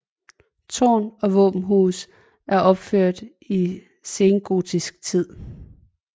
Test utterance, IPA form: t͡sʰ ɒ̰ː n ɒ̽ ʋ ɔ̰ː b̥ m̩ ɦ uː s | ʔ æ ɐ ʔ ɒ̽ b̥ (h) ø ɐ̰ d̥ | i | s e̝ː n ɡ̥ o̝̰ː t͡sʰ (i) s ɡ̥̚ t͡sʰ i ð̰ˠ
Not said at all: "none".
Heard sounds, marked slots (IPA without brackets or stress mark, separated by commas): f, i